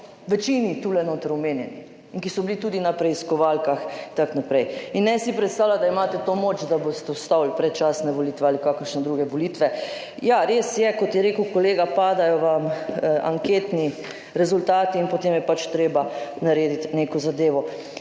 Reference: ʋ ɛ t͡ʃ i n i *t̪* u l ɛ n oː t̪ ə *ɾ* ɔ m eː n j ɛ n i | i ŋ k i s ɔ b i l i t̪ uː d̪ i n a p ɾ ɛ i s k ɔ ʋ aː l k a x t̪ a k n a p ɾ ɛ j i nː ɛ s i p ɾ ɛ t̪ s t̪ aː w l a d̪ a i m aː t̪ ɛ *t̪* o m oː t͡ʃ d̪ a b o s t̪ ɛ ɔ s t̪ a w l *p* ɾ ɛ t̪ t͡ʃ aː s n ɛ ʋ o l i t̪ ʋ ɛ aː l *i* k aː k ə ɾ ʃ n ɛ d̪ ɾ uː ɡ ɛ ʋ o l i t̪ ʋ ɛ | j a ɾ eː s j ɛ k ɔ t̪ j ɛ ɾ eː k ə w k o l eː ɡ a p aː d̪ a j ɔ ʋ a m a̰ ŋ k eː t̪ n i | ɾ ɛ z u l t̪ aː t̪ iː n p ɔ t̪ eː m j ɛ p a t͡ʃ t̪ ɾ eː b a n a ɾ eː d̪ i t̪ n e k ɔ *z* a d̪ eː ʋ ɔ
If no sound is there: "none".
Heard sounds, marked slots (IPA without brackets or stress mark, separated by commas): t̪, ɾ, t̪, p, i, z